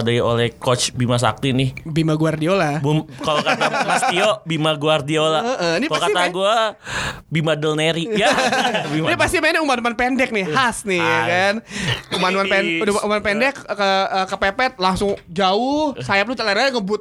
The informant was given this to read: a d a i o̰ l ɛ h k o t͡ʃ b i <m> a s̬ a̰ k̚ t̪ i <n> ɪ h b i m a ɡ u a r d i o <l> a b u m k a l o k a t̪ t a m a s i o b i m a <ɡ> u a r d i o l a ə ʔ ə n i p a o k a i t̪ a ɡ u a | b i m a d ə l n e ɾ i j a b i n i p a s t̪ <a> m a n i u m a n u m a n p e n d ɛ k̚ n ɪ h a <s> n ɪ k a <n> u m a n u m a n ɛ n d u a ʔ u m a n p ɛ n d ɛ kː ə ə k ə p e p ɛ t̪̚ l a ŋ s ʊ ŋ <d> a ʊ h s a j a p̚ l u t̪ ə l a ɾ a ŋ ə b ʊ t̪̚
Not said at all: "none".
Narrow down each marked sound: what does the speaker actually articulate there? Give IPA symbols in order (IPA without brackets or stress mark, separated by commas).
m, n, l, ɡ, i, s, n, d͡ʒ